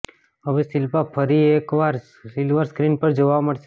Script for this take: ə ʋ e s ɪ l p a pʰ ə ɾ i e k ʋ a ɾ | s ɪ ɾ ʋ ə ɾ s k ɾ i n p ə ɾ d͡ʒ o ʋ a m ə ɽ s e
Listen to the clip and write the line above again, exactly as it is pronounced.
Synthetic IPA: ə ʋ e s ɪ l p a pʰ ə ɾ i e k ʋ a ɾ | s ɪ l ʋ ə ɾ s k ɾ i n p ə ɾ d͡ʒ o ʋ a m ə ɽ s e

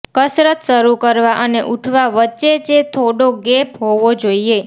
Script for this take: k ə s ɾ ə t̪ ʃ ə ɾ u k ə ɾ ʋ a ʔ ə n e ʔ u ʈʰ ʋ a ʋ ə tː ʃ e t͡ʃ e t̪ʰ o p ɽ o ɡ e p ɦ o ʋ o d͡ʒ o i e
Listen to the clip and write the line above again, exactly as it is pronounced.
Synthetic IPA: k ə s ɾ ə t̪ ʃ ə ɾ u k ə ɾ ʋ a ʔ ə n e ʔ u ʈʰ ʋ a ʋ ə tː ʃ e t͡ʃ e t̪ʰ o ɽ o ɡ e p ɦ o ʋ o d͡ʒ o i e

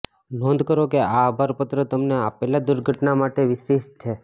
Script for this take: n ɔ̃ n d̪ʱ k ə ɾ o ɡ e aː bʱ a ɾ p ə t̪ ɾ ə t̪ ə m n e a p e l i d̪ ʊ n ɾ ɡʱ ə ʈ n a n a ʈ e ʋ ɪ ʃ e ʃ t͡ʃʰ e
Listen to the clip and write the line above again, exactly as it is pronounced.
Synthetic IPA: n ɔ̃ n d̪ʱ k ə ɾ o k e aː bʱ a ɾ p ə t̪ ɾ ə t̪ ə m n e a p e l a d̪ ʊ ɾ ɡʱ ə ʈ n a m a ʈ e ʋ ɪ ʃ e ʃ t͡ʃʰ e

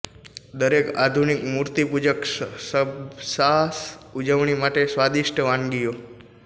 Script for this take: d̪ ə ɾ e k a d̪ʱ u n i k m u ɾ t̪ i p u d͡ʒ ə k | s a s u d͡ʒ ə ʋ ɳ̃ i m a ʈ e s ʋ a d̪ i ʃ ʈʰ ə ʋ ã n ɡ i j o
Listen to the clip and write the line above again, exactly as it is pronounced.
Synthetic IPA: d̪ ə ɾ e k a d̪ʱ u n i k m u ɾ t̪ i p u d͡ʒ ə k | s a s u d͡ʒ ə ʋ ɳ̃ i m a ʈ e s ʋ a d̪ i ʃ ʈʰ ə ʋ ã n ɡ i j o

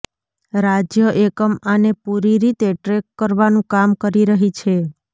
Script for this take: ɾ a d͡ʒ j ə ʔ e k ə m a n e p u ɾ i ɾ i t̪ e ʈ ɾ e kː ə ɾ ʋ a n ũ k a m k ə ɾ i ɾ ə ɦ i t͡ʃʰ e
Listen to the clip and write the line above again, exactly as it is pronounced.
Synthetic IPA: ɾ a d͡ʒ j ə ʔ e k ə m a n e p u ɾ i ɾ i t̪ e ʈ ɾ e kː ə ɾ ʋ a n ũ k a m k ə ɾ i ɾ ə ɦ i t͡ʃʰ e

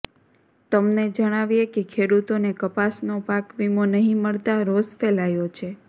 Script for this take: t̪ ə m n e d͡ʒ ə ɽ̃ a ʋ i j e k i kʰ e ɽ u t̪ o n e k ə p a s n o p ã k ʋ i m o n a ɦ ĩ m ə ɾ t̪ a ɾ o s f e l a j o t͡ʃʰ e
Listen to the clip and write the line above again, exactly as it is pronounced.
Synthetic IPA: t̪ ə m n e d͡ʒ ə ɽ̃ a ʋ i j e k e kʰ e ɽ u t̪ o n e k ə p a s n o p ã k ʋ i m o n ə ɦ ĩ m ə ɭ t̪ a ɾ o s f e l a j o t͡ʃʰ e

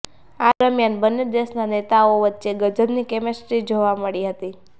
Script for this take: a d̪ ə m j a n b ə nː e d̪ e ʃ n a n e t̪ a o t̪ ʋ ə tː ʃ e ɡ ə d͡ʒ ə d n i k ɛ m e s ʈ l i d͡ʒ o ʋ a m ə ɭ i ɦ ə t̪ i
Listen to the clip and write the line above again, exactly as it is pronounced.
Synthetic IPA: a d̪ ə m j a n b ə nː e d̪ e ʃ n a n e t̪ a o ʋ ə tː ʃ e ɡ ə d͡ʒ ə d n i k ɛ m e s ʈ ɾ i d͡ʒ o ʋ a m ə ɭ i ɦ ə t̪ i

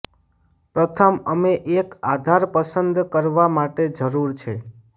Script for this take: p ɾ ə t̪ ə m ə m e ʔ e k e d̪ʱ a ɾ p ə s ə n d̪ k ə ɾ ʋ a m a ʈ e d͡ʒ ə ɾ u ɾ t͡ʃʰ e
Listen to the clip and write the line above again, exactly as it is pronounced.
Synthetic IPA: p ɾ ə t̪ʰ ə m ə m e ʔ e k a d̪ʱ a ɾ p ə s ə n d̪ k ə ɾ ʋ a m a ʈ e d͡ʒ ə ɾ u ɾ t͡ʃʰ e

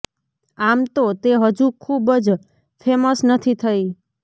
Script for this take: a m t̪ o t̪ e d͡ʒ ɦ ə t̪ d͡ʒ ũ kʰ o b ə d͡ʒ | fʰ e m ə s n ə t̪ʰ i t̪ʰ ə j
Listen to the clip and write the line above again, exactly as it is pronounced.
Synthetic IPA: a m t̪ o t̪ e ɦ ə d͡ʒ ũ kʰ u b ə d͡ʒ | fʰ e m ə s n ə t̪ʰ i t̪ʰ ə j

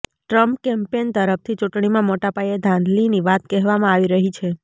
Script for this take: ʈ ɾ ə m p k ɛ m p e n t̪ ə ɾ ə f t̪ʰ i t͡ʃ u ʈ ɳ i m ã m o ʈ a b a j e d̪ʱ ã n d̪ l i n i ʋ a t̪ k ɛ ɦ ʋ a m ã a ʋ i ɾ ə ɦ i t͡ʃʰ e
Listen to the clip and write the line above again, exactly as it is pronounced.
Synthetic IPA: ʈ ɾ ə m p k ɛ m p e n t̪ ə ɾ ə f t̪ʰ i t͡ʃ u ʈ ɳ i m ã m o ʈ a p a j e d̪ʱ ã n d̪ l i n i ʋ a t̪ k ɛ ɦ ʋ a m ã a ʋ i ɾ ə ɦ i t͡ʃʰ e

